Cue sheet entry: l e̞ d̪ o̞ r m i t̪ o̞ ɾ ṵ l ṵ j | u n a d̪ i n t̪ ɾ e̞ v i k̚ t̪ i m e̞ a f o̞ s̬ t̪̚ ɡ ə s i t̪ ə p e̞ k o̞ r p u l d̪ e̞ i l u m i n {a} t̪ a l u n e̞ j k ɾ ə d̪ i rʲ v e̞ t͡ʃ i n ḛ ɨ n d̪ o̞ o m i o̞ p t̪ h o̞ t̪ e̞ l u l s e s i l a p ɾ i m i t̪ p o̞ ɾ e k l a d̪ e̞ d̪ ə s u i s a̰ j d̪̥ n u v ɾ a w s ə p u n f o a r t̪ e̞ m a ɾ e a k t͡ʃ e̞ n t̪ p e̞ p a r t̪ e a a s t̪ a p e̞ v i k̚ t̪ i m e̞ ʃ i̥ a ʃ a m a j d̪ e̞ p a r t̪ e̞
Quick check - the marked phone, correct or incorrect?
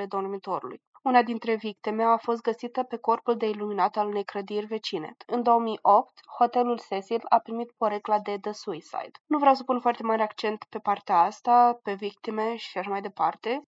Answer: correct